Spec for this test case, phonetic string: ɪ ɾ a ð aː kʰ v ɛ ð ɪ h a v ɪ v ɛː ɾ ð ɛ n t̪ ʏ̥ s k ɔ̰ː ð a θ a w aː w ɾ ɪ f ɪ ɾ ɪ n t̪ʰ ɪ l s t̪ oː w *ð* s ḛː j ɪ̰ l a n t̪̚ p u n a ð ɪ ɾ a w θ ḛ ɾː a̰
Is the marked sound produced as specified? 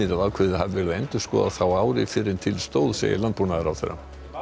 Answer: yes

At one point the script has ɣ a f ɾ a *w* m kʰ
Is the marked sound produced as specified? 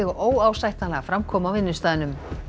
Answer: no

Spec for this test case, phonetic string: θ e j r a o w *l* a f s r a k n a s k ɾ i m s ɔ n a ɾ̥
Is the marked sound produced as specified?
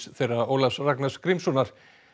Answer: yes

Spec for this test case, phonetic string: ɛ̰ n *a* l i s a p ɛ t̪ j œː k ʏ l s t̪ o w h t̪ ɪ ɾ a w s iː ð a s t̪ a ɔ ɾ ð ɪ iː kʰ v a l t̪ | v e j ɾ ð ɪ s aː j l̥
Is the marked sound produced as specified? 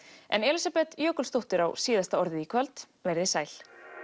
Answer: no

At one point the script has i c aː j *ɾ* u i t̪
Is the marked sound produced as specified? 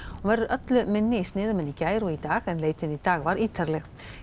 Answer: yes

